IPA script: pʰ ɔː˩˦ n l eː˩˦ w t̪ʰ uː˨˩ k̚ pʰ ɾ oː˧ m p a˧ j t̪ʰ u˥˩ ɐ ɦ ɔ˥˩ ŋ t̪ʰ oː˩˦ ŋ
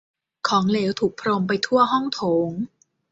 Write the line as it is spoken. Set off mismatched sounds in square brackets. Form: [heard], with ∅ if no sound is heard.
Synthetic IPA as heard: [kʰ] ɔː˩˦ [ŋ] l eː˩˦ w t̪ʰ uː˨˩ k̚ pʰ ɾ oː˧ m p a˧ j t̪ʰ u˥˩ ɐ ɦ ɔ˥˩ ŋ t̪ʰ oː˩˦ ŋ